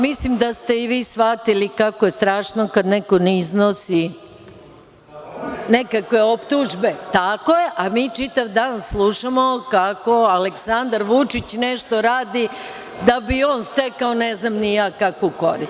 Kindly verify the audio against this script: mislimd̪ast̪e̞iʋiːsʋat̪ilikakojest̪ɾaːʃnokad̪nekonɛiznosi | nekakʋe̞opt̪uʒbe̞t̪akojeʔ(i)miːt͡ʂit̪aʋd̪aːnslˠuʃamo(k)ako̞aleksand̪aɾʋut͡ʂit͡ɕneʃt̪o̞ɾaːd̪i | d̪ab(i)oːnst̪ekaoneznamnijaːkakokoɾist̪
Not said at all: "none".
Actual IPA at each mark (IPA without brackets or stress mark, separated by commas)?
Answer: a, k, i